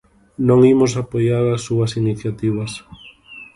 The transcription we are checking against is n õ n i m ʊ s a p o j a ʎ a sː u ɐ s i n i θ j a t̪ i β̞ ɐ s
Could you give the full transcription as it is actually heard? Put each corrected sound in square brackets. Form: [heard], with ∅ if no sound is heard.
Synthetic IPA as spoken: n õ [ŋ] i m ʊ s a p o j a [ɾ] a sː u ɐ s i n i θ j a t̪ i β̞ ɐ s